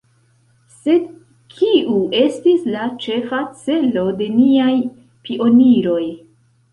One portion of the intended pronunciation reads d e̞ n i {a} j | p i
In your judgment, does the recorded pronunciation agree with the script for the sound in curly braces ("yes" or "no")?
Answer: yes